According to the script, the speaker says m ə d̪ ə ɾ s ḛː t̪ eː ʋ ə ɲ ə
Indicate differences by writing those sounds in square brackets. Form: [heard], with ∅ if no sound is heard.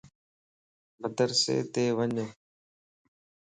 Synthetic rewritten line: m ə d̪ ə ɾ s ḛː t̪ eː ʋ ə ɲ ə